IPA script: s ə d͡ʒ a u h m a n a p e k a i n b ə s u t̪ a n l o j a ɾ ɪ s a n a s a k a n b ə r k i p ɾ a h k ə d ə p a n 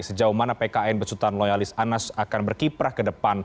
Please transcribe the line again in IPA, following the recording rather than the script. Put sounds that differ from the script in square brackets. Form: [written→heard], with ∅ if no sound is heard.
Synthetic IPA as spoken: s ə d͡ʒ a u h m a n a p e k a [i→ɛ] n b ə s u t̪ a n l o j a [ɾ→l] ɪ s a n a s a k a n b ə r k i p ɾ a h k ə d ə p a n